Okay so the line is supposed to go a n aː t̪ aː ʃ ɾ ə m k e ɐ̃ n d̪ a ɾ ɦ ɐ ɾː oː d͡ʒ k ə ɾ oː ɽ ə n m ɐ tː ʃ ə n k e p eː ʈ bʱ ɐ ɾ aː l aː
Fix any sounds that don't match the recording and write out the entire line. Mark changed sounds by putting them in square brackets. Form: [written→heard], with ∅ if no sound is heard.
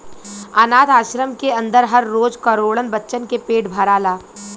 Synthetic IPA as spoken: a n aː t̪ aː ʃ ɾ ə m k e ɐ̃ n d̪ [a→ə] ɾ ɦ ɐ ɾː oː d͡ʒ k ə ɾ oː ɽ ə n [m→b] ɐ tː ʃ ə n k e p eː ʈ bʱ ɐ ɾ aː l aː